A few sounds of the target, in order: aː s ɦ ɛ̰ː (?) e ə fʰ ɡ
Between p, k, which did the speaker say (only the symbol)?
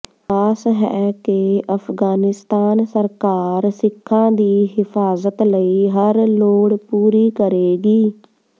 k